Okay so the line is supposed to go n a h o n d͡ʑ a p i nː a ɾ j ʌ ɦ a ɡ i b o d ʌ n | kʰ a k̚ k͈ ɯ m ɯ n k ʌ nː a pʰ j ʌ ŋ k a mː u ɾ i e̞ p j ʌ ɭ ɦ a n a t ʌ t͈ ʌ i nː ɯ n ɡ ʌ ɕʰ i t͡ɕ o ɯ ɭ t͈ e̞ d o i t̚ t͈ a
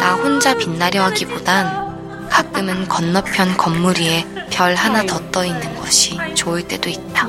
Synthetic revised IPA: n a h o n d͡ʑ a p i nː a ɾ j ʌ ɦ a ɡ i b o d a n | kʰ a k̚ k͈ ɯ m ɯ n k ʌ nː ʌ pʰ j ʌ n k ʌ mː u ɾ i e̞ p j ʌ ɭ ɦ a n a t ʌ t͈ ʌ i nː ɯ n ɡ ʌ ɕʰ i t͡ɕ o ɯ ɭ t͈ e̞ d o i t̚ t͈ a